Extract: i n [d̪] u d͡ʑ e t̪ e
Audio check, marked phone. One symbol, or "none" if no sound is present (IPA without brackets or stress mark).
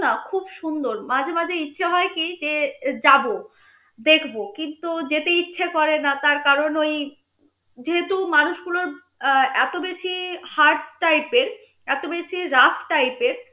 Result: t̪